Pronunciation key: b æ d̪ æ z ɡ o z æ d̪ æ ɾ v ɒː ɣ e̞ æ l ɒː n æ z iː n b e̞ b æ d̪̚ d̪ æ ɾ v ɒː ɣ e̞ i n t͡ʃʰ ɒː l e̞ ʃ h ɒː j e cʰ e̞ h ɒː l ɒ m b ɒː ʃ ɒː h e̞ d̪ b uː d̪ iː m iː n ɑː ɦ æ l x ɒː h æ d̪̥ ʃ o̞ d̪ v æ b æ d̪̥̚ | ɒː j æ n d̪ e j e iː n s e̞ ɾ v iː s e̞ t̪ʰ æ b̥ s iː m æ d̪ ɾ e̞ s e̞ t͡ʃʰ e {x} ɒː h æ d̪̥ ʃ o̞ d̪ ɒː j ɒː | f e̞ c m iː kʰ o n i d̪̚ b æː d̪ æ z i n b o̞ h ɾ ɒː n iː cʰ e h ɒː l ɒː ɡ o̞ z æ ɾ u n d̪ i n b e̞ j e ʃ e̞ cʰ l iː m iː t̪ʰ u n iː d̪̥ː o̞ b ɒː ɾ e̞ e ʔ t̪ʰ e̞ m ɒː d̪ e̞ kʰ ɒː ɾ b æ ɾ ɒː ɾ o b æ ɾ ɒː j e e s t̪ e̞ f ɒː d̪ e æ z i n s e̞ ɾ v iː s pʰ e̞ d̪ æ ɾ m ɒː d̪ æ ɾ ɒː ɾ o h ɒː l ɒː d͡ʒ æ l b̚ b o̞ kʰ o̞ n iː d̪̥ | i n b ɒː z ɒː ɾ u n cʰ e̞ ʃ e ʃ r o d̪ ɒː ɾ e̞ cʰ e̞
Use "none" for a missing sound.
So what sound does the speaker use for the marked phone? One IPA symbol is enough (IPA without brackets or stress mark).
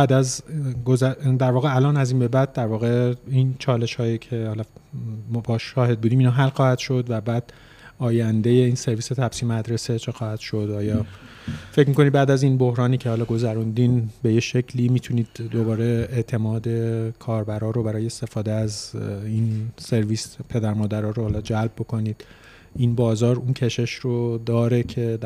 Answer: x